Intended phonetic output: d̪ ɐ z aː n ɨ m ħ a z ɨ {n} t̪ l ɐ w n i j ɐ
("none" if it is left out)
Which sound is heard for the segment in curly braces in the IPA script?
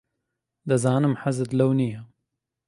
none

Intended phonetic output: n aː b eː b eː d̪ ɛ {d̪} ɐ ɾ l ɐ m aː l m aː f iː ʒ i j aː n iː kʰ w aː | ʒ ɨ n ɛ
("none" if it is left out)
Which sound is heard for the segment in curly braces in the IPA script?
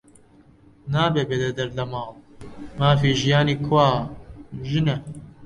d̪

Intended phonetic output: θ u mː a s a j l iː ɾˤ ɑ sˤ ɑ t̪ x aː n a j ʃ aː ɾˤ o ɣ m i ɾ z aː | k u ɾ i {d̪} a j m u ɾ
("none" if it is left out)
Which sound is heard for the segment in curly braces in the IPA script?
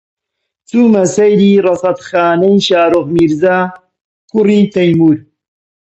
t̪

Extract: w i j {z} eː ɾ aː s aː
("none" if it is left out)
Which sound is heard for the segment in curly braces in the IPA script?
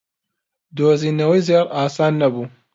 z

